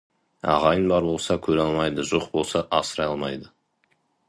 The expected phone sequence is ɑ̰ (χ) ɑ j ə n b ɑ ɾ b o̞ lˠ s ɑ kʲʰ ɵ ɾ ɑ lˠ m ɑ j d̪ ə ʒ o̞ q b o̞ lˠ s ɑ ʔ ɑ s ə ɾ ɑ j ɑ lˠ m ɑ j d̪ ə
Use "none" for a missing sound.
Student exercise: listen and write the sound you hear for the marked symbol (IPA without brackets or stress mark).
ʁ